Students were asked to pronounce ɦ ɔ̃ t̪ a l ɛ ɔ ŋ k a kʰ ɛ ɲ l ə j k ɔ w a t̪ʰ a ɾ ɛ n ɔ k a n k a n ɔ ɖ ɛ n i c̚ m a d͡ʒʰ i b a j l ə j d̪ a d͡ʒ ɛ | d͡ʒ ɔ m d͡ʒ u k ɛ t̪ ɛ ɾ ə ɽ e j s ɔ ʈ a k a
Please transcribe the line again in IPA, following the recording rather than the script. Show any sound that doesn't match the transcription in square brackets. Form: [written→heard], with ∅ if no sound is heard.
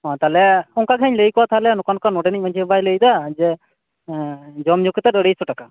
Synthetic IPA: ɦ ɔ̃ t̪ a l ɛ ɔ ŋ k a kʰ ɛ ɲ l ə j k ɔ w a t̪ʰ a [ɾ→l] ɛ n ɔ k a n k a n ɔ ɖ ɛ n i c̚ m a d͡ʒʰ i b a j l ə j d̪ a d͡ʒ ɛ | d͡ʒ ɔ m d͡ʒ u k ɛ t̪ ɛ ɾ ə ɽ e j s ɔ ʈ a k a